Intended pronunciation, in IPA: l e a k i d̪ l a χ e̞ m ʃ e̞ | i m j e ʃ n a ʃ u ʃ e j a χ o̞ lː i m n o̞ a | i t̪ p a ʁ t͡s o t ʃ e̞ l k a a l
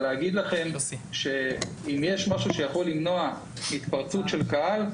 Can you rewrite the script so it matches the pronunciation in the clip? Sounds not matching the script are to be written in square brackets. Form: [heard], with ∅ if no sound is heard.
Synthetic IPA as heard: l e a [ɡ] i d̪ l a χ e̞ m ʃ e̞ | i m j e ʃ [m] a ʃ u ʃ e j a χ o̞ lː i m n o̞ a | i t̪ p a ʁ t͡s [u] t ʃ e̞ l k a a l